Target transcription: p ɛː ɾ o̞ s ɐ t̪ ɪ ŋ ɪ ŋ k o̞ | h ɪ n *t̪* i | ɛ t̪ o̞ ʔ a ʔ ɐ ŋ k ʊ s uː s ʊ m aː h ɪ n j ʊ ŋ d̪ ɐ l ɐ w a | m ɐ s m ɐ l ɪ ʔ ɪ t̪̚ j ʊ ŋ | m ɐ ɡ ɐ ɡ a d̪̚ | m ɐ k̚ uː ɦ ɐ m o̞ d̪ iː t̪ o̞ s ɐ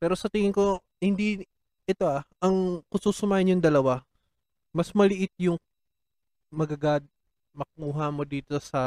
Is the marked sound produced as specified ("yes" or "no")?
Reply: no